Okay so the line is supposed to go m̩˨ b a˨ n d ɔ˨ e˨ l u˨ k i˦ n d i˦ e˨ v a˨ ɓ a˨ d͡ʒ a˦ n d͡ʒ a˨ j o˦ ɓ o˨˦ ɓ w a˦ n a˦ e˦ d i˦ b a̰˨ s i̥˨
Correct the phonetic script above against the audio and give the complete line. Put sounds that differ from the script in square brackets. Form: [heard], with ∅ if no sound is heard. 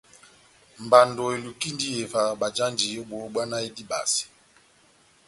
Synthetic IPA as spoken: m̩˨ b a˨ n d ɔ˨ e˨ l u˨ k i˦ n d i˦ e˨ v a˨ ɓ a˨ d͡ʒ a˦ n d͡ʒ [i˨] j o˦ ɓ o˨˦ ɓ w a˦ n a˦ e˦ d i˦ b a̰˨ s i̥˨